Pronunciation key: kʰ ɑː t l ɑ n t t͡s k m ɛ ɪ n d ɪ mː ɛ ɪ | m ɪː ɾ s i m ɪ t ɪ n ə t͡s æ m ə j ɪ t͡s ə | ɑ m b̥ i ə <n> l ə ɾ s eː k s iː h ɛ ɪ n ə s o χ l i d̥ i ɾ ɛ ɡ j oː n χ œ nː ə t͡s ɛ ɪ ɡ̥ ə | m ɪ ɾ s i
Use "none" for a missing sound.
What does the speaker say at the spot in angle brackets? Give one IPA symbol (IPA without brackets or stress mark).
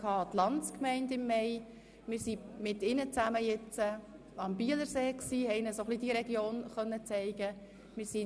none